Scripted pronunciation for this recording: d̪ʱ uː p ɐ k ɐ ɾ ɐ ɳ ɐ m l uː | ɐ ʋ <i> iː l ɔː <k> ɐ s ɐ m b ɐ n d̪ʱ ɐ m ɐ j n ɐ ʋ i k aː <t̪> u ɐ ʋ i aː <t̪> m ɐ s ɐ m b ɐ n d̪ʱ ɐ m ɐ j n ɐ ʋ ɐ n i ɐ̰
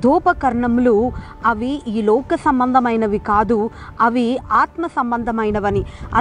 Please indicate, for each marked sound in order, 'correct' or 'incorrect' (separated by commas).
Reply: correct, correct, incorrect, correct